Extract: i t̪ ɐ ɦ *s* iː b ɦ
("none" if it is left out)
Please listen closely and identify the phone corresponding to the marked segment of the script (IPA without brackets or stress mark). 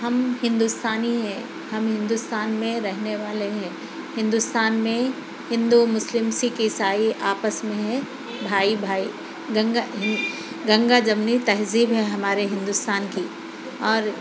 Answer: z